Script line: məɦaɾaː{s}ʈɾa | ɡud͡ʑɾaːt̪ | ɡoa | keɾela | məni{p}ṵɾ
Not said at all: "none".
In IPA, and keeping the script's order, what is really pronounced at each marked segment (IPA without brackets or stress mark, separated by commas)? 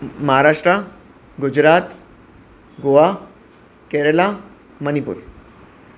ʂ, p